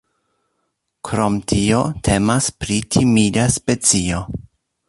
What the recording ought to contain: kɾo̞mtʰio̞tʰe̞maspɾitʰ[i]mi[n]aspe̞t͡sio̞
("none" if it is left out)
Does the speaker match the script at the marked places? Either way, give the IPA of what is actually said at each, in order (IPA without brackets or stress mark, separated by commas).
i, d